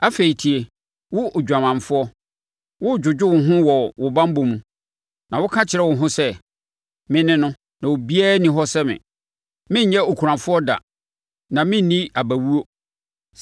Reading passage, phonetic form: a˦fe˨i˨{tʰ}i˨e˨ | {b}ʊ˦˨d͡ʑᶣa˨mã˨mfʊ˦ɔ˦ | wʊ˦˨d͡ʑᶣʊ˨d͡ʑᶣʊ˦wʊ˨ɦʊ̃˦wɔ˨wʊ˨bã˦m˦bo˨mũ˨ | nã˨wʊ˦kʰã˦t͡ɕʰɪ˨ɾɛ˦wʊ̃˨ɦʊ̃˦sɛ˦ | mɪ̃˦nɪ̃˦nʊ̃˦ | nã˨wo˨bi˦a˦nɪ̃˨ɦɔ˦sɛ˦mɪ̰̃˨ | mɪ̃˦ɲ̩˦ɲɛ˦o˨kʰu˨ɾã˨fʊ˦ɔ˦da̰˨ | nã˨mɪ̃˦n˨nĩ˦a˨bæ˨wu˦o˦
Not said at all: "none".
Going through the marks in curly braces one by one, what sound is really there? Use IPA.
tʰ, w

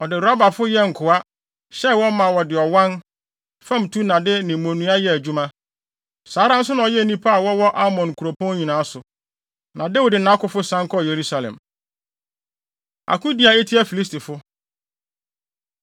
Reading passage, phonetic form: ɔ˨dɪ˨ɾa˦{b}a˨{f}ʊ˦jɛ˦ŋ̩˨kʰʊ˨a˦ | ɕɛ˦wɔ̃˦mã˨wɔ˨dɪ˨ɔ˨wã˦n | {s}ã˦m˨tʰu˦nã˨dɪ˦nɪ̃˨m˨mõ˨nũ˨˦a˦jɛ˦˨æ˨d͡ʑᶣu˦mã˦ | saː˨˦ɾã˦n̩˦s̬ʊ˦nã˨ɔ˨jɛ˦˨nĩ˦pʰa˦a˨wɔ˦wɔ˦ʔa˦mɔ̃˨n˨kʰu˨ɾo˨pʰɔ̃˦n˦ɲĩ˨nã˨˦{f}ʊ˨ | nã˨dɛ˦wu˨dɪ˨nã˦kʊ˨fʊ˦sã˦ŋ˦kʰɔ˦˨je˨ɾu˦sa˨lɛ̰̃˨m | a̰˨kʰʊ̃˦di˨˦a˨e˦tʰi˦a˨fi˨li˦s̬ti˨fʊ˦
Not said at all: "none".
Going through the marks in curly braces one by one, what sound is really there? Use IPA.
b, f, f, s

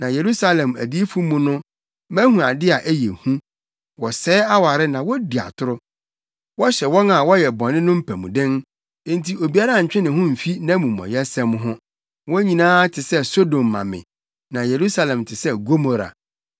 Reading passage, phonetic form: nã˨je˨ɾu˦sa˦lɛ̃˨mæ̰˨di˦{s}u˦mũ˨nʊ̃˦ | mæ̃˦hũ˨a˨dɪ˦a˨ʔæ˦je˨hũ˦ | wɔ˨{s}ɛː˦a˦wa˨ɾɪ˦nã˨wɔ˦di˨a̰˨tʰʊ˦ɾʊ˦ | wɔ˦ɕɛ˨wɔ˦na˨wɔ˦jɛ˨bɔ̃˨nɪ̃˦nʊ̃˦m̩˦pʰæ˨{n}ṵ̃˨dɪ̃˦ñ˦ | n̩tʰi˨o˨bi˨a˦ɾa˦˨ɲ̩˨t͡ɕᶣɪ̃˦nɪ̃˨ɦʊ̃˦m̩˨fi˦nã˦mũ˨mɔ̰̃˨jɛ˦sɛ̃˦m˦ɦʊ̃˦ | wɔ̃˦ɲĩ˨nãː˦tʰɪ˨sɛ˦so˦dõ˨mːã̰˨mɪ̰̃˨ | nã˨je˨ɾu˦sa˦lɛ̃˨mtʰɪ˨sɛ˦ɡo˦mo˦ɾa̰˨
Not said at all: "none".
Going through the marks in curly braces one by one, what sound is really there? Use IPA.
f, s, m

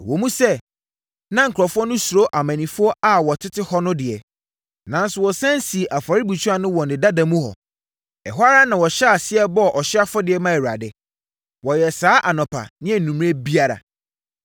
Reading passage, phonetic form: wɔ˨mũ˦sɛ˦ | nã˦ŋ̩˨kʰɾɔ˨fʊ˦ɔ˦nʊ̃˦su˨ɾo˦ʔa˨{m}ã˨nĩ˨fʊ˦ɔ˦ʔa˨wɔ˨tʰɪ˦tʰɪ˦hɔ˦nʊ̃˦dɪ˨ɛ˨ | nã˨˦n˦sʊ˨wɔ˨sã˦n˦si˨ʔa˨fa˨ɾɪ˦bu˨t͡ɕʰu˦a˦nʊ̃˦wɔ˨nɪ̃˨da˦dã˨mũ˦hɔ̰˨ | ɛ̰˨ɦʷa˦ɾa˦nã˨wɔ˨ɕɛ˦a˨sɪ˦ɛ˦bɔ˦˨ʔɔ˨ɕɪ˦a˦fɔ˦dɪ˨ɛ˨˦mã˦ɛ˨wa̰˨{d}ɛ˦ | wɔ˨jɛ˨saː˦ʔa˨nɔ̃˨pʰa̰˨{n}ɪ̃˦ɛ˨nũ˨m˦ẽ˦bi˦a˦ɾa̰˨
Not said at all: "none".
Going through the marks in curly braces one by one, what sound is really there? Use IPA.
m, d, n

